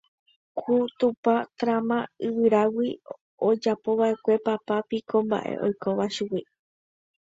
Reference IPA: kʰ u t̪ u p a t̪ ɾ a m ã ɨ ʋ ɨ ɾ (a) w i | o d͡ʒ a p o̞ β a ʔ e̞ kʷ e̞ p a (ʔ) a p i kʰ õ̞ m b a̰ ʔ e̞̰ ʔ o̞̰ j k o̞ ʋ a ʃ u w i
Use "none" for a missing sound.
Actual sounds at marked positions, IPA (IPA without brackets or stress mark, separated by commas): a, p